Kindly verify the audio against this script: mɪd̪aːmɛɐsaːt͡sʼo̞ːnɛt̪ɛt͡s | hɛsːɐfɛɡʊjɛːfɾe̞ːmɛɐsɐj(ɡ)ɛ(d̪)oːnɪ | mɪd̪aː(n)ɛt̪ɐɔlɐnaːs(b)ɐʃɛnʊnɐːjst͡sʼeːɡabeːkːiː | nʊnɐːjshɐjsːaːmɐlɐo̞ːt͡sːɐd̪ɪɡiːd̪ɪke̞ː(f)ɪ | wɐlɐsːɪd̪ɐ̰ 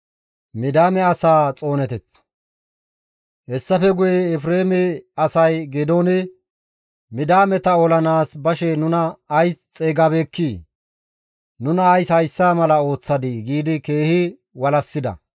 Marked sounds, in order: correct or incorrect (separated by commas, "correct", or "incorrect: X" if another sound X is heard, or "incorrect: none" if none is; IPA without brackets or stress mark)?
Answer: correct, correct, incorrect: m, correct, incorrect: h